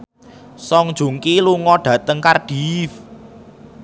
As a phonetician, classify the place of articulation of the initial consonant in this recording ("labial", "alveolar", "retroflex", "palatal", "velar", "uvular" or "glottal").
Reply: alveolar